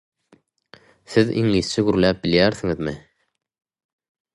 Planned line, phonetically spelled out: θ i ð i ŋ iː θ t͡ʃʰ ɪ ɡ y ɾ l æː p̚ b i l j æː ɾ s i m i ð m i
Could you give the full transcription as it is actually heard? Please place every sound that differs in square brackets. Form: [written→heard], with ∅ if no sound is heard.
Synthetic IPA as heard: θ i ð i ŋ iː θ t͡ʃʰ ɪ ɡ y ɾ l æː p̚ b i l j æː ɾ [s→θ] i [m→ŋ] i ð m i